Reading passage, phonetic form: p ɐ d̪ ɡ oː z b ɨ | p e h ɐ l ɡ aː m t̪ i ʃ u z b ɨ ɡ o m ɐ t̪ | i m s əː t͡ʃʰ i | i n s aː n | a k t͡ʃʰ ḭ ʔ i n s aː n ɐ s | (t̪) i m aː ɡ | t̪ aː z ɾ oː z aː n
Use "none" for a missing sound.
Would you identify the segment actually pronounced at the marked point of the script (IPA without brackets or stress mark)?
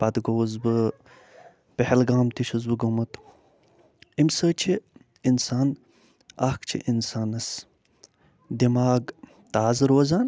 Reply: d̪